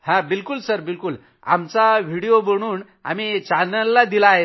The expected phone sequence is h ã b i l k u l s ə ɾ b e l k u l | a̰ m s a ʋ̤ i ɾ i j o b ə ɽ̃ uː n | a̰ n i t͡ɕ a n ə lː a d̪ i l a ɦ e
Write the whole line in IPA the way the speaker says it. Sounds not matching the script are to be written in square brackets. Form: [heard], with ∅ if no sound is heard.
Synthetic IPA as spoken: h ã b i l k u l s ə ɾ b [i] l k u l | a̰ m [t͡s] a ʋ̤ i [ɽ] i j o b ə ɽ̃ uː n | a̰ [m] i t͡ɕ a n ə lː a d̪ i l a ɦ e